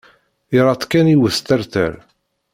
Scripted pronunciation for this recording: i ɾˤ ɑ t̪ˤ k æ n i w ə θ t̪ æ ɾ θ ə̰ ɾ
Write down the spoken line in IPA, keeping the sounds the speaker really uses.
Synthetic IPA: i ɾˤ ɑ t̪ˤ k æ n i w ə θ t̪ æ ɾ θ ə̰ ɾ